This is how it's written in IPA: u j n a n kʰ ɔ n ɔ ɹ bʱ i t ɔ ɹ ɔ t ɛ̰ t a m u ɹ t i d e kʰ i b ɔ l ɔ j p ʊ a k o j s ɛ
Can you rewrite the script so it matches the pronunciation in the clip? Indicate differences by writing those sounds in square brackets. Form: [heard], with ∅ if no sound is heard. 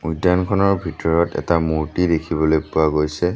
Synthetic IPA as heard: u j [d] a n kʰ ɔ n ɔ ɹ bʱ i t ɔ ɹ ɔ t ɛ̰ t a m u ɹ t i d e kʰ i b ɔ l [o] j p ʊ a [ɡ] o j s ɛ